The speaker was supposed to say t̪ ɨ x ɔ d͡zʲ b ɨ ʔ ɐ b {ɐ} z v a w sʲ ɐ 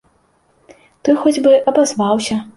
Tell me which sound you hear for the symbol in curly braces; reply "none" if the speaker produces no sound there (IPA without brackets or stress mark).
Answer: a